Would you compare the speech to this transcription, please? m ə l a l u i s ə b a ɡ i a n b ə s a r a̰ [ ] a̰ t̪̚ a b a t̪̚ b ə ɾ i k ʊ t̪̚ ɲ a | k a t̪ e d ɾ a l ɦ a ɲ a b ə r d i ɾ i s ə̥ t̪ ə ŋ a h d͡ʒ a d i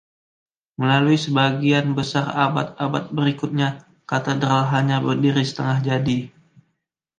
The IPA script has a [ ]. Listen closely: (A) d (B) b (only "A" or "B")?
B